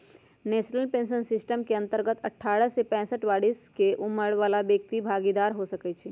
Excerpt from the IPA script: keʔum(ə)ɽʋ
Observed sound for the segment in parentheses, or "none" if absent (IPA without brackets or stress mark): ə